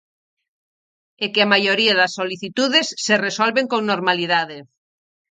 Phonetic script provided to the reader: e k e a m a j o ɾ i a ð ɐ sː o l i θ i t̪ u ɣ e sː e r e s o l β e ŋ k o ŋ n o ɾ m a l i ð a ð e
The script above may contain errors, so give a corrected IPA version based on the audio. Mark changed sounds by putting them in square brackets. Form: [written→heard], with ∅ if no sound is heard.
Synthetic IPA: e k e a m a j o ɾ i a ð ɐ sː o l i θ i t̪ u [ɣ→ð] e sː e r e s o l β e ŋ k o ŋ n o ɾ m a l i ð a ð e